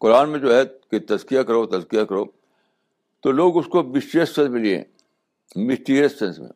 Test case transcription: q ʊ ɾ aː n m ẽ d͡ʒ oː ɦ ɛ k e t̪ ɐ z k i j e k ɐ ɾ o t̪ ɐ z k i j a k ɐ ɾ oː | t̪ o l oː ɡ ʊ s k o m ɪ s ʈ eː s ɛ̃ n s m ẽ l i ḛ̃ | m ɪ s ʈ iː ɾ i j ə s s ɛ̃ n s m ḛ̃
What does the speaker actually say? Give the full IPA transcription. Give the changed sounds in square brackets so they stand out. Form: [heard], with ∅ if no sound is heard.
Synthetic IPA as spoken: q ʊ ɾ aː n m ẽ d͡ʒ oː ɦ ɛ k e t̪ ɐ z k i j [a] k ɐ ɾ o t̪ ɐ z k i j a k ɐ ɾ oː | t̪ o l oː ɡ ʊ s k o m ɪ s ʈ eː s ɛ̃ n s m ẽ l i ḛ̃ | m ɪ s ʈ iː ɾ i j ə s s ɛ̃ n s m ḛ̃